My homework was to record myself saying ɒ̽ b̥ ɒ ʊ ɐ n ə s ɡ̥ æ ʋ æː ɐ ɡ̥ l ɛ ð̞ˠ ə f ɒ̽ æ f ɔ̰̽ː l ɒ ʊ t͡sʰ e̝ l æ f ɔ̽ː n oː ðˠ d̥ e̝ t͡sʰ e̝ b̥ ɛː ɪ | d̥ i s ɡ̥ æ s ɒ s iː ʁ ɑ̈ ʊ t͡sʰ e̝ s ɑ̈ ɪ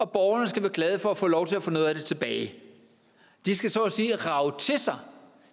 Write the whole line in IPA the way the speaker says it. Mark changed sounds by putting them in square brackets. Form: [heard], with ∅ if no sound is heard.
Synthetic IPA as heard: ɒ̽ b̥ ɒ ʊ ɐ n ə s ɡ̥ æ ʋ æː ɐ ɡ̥ l ɛ ð̞ˠ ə f ɒ̽ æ f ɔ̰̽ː l ɒ ʊ t͡sʰ e̝ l æ f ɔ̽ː n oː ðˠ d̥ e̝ t͡sʰ e̝ b̥ ɛː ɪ | d̥ i s ɡ̥ æ s ɒ s iː ʁ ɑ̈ ʊ t͡sʰ e̝ s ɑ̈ ɪ